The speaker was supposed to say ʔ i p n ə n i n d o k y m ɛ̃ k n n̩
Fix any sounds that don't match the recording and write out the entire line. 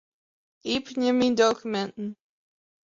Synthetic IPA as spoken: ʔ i p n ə m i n d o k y m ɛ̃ n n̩